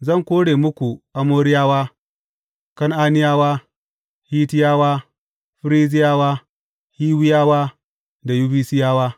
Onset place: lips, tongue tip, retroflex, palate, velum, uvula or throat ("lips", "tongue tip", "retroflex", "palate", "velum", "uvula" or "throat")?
tongue tip